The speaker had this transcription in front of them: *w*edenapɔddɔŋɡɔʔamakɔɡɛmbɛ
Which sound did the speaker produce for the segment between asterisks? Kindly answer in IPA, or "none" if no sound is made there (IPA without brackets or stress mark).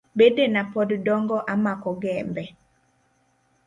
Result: b